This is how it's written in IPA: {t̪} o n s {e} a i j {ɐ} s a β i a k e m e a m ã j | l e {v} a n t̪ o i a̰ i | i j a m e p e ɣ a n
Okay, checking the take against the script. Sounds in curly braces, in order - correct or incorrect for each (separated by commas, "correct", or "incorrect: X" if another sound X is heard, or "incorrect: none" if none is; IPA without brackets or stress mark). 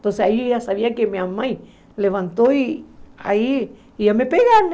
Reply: correct, correct, incorrect: a, incorrect: β